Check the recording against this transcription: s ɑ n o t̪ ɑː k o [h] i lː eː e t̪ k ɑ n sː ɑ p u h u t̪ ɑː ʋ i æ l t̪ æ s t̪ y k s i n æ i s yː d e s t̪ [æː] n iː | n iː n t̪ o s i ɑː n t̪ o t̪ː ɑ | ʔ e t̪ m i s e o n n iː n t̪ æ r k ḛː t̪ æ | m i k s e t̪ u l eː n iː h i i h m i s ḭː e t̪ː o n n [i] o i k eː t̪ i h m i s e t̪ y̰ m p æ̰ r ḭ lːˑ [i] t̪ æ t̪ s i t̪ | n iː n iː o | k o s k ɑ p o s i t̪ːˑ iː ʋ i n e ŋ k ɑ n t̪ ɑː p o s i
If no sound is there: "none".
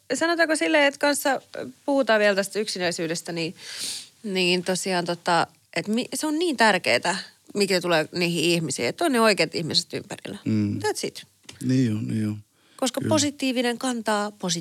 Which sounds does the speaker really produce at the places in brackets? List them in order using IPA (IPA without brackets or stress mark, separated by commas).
s, æ, e, æ